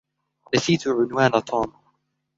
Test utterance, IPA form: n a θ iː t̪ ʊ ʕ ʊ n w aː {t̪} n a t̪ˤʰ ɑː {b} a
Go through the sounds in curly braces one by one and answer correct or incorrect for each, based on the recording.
incorrect: none, incorrect: m

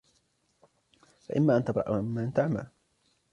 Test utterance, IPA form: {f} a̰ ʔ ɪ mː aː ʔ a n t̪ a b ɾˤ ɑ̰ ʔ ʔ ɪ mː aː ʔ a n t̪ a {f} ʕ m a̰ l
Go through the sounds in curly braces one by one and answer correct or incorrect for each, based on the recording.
correct, incorrect: none

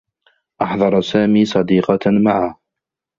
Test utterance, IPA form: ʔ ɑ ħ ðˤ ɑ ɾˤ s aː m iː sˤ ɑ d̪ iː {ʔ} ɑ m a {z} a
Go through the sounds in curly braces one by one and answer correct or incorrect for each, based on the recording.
incorrect: q, incorrect: ʕ

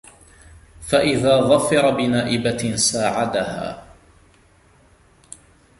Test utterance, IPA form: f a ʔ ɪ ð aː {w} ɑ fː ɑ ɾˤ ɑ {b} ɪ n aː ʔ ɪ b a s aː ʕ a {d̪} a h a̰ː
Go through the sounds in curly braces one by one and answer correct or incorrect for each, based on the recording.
incorrect: ɣ, correct, correct

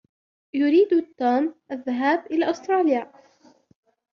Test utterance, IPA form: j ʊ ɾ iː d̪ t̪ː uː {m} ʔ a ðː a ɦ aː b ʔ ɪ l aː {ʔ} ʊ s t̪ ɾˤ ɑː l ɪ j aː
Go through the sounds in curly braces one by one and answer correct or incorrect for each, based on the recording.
correct, correct

